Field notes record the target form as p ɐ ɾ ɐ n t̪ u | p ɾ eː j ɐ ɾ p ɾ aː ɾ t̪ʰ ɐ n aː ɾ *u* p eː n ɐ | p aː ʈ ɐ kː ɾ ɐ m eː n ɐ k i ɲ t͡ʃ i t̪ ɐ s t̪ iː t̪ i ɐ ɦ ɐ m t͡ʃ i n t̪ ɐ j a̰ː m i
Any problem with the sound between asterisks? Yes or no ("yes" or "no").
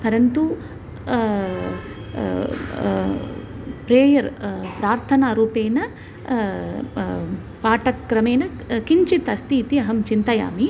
yes